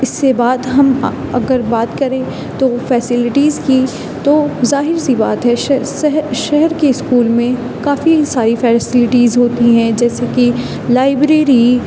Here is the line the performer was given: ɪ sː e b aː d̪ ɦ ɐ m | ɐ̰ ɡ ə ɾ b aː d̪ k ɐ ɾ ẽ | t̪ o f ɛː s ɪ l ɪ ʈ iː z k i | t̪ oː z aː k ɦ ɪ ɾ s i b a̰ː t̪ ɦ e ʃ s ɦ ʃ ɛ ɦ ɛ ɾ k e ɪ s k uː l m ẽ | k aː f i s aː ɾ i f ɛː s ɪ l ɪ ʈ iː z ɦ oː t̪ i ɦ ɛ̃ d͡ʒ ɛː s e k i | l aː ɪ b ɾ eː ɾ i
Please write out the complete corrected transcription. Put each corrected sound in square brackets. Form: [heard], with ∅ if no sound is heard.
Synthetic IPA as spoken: ɪ sː e b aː d̪ ɦ ɐ m | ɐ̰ ɡ ə ɾ b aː [t̪] k ɐ ɾ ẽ | t̪ o f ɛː s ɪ l ɪ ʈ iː z k i | t̪ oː z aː [∅] ɦ ɪ ɾ s i b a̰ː t̪ ɦ [ɛ] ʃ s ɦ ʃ ɛ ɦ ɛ ɾ k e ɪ s k uː l m ẽ | k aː f i s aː ɾ i f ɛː s ɪ l ɪ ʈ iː z ɦ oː t̪ i ɦ ɛ̃ d͡ʒ ɛː s e k i | l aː ɪ b ɾ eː ɾ i